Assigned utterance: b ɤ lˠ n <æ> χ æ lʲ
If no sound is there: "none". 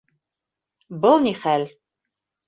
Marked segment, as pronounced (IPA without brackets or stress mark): i